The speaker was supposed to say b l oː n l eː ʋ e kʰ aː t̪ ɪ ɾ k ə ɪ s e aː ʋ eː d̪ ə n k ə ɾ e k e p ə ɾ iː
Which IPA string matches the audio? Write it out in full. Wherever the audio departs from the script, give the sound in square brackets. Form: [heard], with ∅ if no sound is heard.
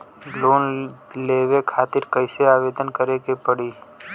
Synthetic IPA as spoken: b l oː n l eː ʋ e kʰ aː t̪ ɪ ɾ k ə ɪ s e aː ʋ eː d̪ ə n k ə ɾ e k e p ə [ɽ] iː